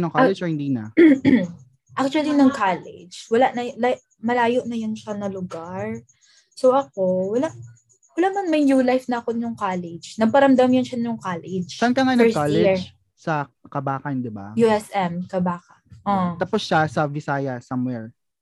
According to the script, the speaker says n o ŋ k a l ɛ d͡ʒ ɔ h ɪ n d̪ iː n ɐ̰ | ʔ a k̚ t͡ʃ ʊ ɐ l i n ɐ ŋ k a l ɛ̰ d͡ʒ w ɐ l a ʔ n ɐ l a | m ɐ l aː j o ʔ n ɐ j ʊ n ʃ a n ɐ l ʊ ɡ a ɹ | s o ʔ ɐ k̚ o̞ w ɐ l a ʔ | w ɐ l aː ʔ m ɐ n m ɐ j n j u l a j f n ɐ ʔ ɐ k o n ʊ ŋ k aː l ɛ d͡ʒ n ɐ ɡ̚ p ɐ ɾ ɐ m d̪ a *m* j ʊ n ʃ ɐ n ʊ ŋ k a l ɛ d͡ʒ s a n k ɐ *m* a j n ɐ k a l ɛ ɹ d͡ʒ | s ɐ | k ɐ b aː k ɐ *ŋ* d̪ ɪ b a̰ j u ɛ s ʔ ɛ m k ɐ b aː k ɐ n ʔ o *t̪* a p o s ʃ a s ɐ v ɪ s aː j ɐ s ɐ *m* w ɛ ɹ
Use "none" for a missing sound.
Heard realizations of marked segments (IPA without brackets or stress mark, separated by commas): m, ŋ, n, t̪, m